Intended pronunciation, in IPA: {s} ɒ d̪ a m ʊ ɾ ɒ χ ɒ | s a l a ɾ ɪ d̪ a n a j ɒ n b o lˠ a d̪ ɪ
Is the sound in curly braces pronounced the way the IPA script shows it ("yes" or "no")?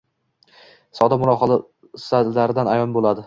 yes